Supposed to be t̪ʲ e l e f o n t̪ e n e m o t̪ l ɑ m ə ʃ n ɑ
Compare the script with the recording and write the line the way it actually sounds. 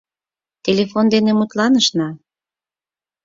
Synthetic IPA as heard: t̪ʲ e l e f o n d̪ e n e m u t̪ l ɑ n ə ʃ n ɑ